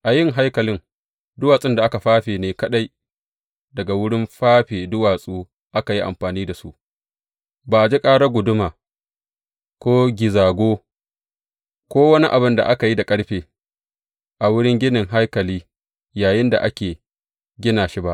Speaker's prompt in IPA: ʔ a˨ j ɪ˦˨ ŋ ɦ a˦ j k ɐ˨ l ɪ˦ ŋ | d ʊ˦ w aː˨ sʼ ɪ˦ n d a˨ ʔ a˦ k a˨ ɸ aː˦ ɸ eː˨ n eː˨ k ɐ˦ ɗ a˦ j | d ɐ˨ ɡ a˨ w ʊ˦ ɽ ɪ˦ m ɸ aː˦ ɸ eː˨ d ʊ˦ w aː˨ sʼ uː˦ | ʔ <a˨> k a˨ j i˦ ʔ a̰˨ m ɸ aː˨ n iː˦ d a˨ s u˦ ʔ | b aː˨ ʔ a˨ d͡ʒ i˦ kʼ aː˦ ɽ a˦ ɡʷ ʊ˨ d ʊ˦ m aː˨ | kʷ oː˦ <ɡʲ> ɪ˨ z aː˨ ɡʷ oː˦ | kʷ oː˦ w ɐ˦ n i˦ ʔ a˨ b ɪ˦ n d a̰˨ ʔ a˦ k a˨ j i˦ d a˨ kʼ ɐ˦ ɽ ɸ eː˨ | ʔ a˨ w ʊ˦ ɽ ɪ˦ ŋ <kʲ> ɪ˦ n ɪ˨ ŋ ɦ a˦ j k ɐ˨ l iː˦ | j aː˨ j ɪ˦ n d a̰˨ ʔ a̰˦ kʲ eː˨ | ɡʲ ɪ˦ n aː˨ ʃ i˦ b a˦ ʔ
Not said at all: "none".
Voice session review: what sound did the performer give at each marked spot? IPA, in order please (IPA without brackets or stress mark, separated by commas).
a˦, ɡʲ, ɡʲ